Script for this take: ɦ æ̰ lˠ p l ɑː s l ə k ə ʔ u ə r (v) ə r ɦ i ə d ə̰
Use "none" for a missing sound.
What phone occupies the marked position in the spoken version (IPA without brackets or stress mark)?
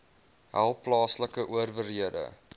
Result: v